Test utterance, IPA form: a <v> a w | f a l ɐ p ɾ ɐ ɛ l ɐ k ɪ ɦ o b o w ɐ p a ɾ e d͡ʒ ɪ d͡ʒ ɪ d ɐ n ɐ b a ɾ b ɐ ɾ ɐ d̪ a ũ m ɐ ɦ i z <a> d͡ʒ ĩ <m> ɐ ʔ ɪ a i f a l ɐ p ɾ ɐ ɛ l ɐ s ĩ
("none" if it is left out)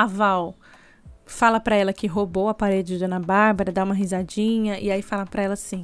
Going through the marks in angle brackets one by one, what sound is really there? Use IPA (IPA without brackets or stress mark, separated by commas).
v, a, ɲ